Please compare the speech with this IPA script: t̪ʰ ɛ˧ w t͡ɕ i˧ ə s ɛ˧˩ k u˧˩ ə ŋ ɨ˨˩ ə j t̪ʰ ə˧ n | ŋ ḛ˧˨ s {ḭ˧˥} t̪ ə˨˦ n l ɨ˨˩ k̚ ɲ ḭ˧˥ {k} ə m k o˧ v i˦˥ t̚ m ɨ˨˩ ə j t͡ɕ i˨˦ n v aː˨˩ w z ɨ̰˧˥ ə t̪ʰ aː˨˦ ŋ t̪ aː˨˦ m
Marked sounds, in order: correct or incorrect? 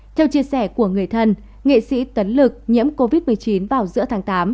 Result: correct, incorrect: none

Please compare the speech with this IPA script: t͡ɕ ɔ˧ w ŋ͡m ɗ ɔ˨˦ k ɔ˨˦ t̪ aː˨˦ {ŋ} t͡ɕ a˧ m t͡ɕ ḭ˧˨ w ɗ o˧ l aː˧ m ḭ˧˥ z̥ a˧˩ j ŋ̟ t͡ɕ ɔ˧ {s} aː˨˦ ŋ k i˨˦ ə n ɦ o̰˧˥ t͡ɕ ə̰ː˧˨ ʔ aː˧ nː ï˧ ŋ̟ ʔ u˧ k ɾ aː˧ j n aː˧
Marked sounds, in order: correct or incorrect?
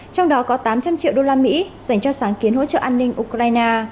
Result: incorrect: m, correct

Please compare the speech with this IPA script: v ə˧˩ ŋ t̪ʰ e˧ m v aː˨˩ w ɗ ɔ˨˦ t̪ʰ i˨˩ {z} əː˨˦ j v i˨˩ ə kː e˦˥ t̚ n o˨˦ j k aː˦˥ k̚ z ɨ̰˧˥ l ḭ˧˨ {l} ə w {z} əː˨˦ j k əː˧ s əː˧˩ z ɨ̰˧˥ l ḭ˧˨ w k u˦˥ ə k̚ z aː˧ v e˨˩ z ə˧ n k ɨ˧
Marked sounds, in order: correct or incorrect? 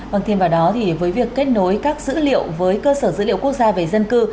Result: incorrect: v, incorrect: none, incorrect: v

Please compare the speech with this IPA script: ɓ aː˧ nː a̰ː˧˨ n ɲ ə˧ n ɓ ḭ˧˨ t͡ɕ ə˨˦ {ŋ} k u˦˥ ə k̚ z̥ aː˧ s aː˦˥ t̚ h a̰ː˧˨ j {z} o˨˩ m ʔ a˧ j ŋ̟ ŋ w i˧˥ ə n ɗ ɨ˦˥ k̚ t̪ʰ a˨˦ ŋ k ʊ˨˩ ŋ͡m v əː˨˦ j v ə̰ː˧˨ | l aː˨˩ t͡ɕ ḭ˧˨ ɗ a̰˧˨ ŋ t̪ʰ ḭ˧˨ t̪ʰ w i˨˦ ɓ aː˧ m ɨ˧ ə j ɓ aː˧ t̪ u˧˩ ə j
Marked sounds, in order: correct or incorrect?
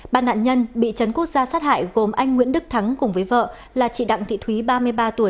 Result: incorrect: n, incorrect: ɣ

